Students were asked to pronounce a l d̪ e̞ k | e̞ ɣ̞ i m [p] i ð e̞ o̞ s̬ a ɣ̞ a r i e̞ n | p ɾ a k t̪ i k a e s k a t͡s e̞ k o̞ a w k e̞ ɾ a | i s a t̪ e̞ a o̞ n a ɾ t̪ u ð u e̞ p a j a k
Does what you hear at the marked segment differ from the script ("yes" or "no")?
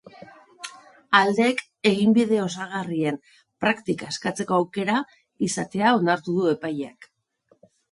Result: yes